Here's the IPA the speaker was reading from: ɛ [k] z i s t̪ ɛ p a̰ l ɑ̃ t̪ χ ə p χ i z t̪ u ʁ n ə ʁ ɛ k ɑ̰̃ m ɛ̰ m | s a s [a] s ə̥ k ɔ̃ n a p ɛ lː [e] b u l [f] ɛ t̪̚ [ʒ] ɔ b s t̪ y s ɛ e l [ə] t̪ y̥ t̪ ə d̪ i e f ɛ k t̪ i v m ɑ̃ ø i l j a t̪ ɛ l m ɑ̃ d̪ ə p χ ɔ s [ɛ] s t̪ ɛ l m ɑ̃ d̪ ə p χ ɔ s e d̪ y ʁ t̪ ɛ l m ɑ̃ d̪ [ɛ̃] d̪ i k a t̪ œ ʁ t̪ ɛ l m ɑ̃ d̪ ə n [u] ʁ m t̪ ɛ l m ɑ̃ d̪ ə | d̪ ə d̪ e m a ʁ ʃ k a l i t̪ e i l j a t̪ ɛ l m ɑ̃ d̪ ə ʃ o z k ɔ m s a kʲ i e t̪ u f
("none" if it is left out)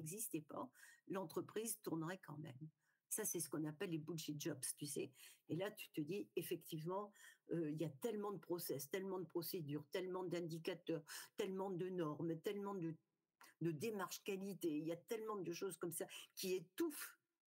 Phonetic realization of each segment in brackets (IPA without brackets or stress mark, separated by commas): ɡ, ɛ, e, ʃ, ʒ, a, ɛ, ɛ̃, ɔ